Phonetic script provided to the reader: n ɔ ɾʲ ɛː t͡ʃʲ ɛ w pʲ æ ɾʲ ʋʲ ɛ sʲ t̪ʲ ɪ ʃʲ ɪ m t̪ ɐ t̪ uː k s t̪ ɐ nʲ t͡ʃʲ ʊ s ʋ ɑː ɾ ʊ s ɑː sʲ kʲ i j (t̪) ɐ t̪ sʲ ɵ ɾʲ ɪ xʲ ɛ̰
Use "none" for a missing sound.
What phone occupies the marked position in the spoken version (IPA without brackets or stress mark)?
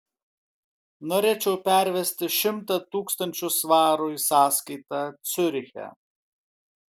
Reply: t̪